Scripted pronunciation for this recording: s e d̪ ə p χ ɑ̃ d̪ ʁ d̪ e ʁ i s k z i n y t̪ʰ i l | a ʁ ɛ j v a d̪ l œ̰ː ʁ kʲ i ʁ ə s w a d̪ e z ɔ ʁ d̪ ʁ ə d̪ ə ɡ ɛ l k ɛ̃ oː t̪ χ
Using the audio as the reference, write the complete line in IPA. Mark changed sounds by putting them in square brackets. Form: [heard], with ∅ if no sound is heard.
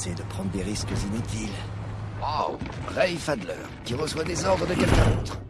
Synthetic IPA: s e d̪ ə p χ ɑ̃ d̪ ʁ d̪ e ʁ i s k z i n y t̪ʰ i l | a ʁ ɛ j [f] a d̪ l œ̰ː ʁ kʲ i ʁ ə s w a d̪ e z ɔ ʁ d̪ ʁ ə d̪ ə [k] ɛ l k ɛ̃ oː t̪ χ